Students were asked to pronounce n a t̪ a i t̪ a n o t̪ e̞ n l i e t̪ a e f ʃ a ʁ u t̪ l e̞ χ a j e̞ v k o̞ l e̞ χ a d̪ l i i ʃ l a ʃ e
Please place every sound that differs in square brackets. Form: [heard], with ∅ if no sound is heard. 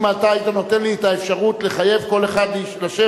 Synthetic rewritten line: [m] a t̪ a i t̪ a n o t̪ e̞ n l i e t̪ a e f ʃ a ʁ u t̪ l e̞ χ a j e̞ v k o̞ l e̞ χ a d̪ l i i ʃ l a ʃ e